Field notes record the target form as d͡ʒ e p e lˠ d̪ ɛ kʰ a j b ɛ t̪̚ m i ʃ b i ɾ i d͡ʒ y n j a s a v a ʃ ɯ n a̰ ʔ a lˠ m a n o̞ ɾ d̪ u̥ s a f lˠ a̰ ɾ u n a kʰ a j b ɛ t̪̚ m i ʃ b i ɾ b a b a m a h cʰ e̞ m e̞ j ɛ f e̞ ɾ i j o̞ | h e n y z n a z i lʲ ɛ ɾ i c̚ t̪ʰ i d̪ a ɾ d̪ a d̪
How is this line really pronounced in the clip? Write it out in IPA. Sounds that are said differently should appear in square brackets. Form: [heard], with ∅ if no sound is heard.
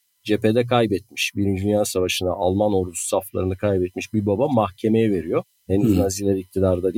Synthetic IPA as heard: d͡ʒ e p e [∅] d̪ ɛ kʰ a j b ɛ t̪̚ m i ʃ b i ɾ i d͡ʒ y n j a s a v a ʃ ɯ n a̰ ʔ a lˠ m a n o̞ ɾ d̪ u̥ s a f lˠ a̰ ɾ [ɯ] n a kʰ a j b ɛ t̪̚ m i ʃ b i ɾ b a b a m a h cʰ e̞ m e̞ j ɛ [v] e̞ ɾ i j o̞ | h e n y z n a z i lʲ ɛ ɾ i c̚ t̪ʰ i d̪ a ɾ d̪ a d̪